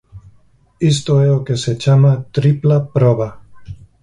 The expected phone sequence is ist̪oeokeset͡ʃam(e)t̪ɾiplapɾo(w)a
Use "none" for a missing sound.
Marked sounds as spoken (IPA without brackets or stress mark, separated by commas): a, β